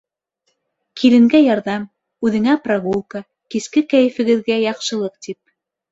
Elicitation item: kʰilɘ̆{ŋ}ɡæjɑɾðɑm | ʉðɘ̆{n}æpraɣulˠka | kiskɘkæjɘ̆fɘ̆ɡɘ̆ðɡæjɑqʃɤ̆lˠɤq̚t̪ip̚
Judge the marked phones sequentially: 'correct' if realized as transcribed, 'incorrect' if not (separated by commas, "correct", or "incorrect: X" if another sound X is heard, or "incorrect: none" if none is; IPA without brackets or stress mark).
correct, incorrect: ŋ